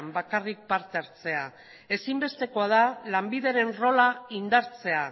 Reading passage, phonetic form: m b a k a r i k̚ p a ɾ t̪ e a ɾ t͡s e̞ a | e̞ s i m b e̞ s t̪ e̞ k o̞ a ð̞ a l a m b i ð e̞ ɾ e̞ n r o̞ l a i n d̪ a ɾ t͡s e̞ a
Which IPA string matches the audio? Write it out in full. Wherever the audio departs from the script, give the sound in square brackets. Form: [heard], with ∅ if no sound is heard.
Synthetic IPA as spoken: m b a k a r i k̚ p a ɾ t̪ e a ɾ t͡s e̞ a | e̞ s i m b e̞ s t̪ e̞ k o̞ a ð̞ a l a m b i ð e̞ ɾ e̞ n r o̞ l a i n d̪ a ɾ t͡s e̞ a